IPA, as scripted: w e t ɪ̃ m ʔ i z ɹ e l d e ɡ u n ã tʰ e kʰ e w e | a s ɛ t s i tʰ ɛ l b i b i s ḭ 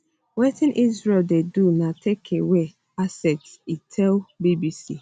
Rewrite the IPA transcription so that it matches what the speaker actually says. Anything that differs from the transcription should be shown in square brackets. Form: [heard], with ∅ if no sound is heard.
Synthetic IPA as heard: w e t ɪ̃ [n] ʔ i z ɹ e l d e [d] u n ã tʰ e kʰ e w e | a s ɛ t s i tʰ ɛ l b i b i s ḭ